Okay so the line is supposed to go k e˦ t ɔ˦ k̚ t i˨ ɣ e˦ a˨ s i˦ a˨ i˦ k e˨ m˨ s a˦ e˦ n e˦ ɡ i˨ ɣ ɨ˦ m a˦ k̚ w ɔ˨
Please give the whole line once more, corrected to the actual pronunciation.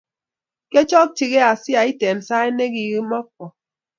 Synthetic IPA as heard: k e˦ t͡ʃ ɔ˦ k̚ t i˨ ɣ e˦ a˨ s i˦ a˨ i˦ t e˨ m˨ s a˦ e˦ n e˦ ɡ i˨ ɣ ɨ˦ m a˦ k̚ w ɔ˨